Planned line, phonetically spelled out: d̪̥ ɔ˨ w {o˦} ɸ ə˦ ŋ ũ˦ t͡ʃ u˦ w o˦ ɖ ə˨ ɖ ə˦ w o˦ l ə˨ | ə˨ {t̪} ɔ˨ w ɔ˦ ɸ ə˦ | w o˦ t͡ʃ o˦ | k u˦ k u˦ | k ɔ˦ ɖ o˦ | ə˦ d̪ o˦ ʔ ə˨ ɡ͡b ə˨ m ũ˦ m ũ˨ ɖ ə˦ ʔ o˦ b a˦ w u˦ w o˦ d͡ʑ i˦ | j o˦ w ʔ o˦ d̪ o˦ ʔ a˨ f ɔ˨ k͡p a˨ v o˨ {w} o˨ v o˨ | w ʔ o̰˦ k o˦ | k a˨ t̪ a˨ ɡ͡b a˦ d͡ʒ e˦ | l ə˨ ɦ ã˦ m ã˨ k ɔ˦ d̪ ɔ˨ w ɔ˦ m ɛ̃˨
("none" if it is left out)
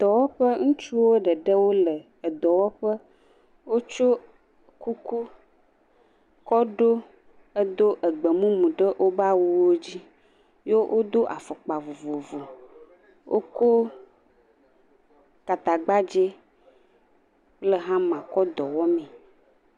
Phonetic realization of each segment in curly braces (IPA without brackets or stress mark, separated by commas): ɔ˦, d̪, v